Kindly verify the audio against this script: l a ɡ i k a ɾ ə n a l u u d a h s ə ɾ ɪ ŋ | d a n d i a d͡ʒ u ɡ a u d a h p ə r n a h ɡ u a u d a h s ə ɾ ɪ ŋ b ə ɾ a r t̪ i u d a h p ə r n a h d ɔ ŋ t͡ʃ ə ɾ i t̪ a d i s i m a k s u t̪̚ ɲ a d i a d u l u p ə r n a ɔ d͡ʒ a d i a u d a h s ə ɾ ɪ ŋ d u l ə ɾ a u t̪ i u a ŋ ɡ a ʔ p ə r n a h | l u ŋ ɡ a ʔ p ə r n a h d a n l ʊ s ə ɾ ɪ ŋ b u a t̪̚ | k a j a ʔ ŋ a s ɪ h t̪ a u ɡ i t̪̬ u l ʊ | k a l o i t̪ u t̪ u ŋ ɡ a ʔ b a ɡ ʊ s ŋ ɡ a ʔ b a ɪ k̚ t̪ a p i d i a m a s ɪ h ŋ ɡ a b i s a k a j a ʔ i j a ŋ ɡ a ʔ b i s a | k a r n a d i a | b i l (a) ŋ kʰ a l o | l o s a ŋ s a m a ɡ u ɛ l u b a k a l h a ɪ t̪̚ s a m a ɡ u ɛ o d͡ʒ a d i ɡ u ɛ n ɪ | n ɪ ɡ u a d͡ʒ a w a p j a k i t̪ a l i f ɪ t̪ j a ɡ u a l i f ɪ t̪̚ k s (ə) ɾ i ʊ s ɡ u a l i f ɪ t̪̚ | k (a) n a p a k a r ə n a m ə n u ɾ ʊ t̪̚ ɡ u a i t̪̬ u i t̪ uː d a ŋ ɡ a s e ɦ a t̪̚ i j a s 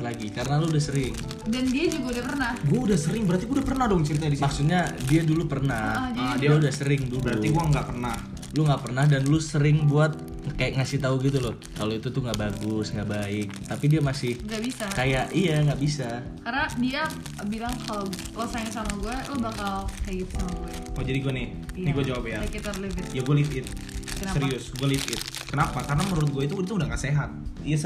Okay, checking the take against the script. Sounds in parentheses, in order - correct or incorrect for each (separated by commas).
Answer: correct, correct, incorrect